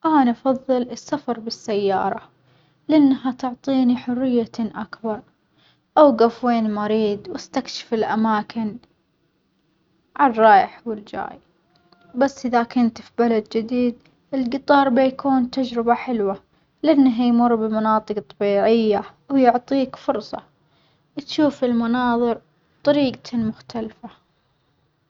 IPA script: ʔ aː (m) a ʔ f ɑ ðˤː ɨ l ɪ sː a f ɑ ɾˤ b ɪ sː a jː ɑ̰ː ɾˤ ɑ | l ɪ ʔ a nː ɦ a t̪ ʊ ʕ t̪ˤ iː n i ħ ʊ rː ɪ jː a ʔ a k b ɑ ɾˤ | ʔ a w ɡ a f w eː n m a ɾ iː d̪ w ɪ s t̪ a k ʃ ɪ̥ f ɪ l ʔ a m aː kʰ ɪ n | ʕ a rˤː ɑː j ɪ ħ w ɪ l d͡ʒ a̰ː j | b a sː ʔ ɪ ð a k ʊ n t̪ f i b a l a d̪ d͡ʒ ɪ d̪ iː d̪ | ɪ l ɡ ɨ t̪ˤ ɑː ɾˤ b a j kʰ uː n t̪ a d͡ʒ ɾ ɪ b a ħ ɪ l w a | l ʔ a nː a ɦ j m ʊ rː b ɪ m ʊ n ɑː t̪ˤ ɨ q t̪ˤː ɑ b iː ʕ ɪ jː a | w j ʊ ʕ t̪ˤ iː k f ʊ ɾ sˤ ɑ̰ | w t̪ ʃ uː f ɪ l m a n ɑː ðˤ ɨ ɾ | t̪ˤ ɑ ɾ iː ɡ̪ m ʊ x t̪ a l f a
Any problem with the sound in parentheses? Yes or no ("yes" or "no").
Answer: yes